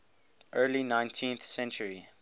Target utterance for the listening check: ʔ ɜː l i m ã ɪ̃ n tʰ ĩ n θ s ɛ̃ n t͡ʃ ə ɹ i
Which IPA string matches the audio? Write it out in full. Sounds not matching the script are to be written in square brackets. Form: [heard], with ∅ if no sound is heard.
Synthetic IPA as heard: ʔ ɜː l i [n] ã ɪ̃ n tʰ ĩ n θ s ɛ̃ n t͡ʃ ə ɹ i